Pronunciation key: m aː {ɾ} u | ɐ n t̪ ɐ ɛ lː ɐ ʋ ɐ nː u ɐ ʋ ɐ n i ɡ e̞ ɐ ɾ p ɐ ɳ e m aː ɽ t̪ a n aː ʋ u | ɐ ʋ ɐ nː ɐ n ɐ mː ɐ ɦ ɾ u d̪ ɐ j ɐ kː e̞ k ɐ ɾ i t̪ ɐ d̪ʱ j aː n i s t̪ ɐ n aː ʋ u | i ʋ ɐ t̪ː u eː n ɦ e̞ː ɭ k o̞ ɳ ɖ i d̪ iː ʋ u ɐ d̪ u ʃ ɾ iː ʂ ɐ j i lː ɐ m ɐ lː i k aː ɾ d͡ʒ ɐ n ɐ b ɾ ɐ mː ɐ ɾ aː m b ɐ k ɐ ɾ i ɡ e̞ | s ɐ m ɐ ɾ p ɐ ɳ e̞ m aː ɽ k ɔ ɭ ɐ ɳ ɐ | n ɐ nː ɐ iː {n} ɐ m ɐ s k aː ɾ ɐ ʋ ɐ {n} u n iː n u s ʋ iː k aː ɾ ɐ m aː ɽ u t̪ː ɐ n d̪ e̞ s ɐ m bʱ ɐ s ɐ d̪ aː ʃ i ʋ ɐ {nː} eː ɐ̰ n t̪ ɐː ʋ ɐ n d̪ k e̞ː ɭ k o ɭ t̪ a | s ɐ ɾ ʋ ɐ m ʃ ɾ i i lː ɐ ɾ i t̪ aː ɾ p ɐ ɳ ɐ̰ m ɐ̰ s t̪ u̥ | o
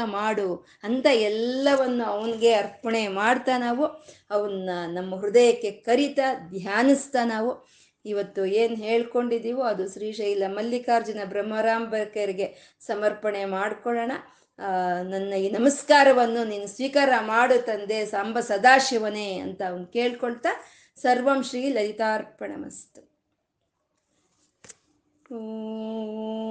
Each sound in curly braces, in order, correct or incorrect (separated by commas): incorrect, correct, incorrect, incorrect